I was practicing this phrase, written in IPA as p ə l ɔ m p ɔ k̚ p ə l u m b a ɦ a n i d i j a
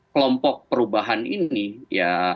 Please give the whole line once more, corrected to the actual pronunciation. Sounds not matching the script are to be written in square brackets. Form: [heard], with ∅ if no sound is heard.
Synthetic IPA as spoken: [k] ə l ɔ m p ɔ k̚ p ə [ɾ] u [∅] b a ɦ a n i [n] i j a